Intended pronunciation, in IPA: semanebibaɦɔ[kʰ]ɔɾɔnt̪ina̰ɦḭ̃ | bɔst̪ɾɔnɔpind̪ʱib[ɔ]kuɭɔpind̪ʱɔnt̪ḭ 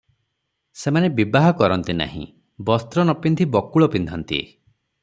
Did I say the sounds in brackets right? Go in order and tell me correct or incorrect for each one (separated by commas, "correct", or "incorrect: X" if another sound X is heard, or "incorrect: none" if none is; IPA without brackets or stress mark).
incorrect: k, correct